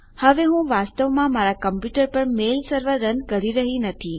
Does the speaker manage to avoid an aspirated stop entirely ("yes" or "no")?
no